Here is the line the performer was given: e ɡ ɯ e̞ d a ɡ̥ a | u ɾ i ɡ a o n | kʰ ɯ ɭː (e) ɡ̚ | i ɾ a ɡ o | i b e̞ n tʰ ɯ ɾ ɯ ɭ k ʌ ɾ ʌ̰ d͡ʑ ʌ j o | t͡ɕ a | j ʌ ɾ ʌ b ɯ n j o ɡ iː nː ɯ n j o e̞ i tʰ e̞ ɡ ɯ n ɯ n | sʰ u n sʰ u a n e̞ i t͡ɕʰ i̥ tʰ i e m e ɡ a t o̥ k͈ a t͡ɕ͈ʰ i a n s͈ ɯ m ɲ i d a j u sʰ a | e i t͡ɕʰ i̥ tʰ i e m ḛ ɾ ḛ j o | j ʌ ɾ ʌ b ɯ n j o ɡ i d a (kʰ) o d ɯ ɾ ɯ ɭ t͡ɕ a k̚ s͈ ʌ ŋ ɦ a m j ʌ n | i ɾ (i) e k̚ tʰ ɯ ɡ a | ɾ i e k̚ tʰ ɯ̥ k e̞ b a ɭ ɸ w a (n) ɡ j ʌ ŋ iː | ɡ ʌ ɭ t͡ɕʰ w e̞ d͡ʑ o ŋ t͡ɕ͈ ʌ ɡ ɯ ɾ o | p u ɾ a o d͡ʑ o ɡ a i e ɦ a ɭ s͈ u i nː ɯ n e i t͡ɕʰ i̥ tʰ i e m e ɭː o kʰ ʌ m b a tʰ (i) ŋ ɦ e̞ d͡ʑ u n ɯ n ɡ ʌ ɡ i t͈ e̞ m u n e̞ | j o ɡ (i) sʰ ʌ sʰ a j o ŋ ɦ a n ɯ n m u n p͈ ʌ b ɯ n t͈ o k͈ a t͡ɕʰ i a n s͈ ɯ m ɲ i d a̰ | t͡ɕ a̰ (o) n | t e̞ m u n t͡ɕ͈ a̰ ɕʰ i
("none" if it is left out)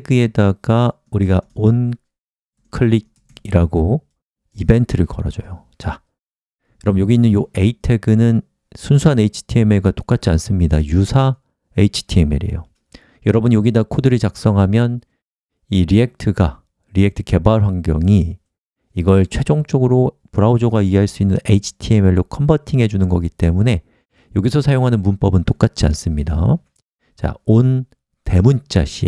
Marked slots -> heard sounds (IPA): i, kʰ, i, ŋ, i, i, o

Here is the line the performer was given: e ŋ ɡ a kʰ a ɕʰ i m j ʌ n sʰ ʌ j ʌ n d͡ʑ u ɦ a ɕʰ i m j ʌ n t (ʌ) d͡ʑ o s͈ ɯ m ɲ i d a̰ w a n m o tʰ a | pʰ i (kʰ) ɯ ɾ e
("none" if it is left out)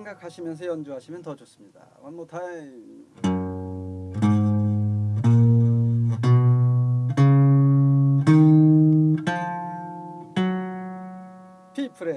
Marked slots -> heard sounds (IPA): ʌ, pʰ

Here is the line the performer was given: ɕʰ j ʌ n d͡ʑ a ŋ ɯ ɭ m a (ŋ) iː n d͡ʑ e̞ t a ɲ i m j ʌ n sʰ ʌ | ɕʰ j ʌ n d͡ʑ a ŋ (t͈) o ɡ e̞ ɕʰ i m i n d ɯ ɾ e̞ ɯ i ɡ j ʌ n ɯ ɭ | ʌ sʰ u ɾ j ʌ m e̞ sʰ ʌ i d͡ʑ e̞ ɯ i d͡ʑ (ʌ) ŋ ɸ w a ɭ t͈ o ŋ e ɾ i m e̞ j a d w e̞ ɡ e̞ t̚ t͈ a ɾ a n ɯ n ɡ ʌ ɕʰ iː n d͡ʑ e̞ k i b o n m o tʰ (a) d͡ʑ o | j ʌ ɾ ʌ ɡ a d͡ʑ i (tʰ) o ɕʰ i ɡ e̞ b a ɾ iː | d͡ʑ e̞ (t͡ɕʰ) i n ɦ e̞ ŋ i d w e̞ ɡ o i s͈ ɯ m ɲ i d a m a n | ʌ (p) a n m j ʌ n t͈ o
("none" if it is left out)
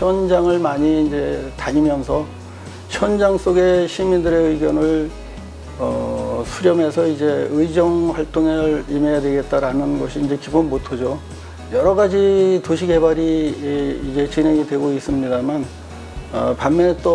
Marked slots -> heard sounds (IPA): ɲ, s͈, ʌ, ʌ, t, t͡ɕ, p

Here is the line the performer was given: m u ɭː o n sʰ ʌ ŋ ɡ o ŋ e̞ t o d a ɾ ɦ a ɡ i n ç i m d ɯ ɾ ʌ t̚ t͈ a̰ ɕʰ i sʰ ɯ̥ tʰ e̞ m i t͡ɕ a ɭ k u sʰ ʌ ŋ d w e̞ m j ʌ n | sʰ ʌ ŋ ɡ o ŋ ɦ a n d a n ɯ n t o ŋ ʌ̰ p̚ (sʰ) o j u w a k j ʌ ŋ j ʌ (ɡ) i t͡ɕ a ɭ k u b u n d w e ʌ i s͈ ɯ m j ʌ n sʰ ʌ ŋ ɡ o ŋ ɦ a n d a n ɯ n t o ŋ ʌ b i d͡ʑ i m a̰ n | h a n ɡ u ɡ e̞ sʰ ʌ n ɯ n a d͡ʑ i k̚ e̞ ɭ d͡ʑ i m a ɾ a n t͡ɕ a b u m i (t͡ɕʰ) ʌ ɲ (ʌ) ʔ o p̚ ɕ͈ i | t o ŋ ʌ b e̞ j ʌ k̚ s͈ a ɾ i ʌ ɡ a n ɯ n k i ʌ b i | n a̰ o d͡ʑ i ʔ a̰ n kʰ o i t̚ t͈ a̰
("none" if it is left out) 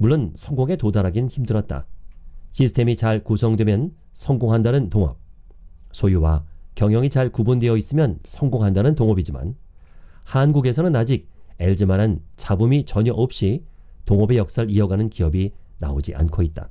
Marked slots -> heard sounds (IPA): sʰ, ŋ, t͡ɕ, ʌ

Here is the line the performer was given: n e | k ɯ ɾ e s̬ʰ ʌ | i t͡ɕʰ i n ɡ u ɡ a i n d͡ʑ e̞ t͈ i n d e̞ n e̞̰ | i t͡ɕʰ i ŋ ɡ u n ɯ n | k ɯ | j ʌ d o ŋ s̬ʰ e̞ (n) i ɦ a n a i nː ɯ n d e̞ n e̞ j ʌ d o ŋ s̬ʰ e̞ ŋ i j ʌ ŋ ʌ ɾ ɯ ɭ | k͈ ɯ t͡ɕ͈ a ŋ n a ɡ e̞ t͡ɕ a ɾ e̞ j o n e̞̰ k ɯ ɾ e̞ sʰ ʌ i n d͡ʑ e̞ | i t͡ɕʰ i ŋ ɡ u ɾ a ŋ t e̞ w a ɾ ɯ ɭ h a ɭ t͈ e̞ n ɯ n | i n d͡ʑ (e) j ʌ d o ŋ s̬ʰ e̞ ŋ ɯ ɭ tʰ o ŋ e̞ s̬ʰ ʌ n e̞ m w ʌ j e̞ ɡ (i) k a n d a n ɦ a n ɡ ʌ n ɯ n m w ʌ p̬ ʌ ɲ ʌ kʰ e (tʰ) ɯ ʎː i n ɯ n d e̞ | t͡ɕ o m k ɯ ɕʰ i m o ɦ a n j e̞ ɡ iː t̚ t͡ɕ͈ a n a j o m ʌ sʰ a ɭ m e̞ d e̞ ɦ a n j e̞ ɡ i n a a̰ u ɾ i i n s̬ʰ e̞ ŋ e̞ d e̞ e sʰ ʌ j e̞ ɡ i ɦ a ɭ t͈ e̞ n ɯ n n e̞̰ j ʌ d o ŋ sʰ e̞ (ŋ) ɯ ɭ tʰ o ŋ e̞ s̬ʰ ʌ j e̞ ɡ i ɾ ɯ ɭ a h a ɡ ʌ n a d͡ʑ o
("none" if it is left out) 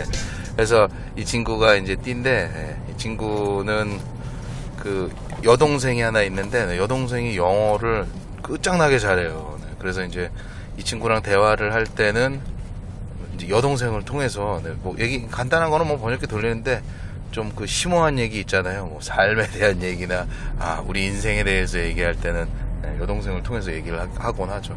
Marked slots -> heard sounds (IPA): ŋ, e, i, t, ŋ

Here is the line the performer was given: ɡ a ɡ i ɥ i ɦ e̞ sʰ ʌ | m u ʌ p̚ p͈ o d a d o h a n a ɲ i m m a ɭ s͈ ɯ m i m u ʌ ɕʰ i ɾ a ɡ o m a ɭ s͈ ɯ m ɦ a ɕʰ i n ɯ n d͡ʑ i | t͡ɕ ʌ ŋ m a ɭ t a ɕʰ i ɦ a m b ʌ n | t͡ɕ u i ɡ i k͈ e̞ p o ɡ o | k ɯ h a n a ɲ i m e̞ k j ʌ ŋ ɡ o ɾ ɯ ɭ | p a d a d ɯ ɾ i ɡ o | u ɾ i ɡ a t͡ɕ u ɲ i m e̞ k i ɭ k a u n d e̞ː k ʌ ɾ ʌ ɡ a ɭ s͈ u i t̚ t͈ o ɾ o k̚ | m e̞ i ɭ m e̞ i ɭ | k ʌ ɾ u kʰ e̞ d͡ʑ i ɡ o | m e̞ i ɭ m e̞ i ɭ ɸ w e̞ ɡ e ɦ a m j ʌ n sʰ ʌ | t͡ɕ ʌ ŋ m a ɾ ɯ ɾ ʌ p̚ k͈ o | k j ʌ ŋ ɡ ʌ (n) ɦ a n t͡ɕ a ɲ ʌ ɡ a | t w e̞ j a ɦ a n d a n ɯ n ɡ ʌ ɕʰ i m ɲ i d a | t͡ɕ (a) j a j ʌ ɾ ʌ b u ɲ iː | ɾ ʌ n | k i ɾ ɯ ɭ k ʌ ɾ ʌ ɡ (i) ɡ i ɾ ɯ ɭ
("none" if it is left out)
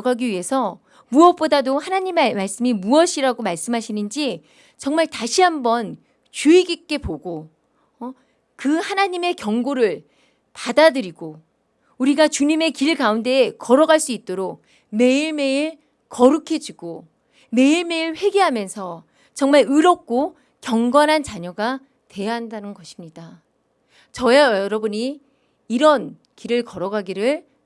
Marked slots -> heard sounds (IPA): n, ʌ, a

